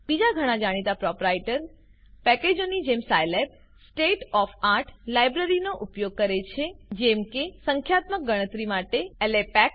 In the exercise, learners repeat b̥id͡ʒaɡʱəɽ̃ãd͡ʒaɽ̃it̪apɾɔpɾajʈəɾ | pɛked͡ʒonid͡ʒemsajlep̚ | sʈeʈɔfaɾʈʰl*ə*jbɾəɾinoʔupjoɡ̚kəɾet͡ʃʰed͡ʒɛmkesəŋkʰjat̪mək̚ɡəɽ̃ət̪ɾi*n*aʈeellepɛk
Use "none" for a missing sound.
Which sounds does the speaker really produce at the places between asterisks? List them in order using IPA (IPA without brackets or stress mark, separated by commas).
a, m